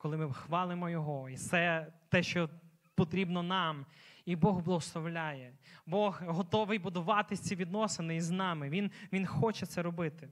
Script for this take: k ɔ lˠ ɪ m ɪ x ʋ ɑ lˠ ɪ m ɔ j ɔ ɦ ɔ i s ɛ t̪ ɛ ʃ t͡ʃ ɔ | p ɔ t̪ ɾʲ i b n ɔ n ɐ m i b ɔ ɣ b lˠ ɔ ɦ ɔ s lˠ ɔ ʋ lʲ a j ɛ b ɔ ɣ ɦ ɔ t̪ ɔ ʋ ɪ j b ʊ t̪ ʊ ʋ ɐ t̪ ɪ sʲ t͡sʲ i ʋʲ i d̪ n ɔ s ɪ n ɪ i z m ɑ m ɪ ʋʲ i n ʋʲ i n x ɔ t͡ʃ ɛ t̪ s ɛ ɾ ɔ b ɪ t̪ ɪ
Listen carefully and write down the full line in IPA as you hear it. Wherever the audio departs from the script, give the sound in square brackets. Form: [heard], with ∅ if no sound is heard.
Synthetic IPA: k ɔ lˠ ɪ m ɪ x ʋ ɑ lˠ ɪ m ɔ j ɔ ɦ ɔ i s ɛ t̪ ɛ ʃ t͡ʃ ɔ | p ɔ t̪ ɾʲ i b n ɔ n [ɑ] m i b ɔ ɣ b lˠ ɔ ɦ ɔ s lˠ ɔ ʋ lʲ a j ɛ b ɔ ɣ ɦ ɔ t̪ ɔ ʋ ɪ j b ʊ [d̪] ʊ ʋ [ɑ] t̪ ɪ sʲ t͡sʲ i ʋʲ i d̪ n ɔ s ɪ n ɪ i z [n] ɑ m ɪ ʋʲ i n ʋʲ i n x ɔ t͡ʃ ɛ t̪ s ɛ ɾ ɔ b ɪ t̪ ɪ